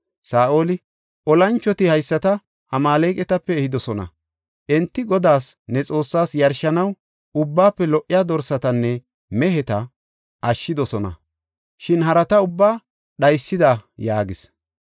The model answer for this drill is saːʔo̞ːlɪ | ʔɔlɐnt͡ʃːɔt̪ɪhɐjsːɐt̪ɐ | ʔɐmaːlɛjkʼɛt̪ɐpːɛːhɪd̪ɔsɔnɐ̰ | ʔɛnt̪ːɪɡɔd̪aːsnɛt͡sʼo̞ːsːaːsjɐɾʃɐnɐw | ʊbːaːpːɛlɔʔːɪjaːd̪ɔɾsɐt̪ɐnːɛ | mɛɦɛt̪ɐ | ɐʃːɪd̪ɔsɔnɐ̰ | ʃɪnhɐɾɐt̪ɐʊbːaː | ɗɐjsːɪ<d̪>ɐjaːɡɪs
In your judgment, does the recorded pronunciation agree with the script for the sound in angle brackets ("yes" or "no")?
yes